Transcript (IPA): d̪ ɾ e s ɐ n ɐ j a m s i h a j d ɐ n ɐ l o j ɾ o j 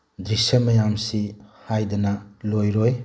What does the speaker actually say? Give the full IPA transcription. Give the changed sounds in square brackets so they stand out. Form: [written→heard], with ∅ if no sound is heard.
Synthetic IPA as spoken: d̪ ɾ [e→i] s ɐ [n→m] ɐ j a m s i h a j d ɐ n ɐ l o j ɾ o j